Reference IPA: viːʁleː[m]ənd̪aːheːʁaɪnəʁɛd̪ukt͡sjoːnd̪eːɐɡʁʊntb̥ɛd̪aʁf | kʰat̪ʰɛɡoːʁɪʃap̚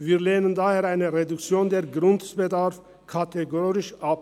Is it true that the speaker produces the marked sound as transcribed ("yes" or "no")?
no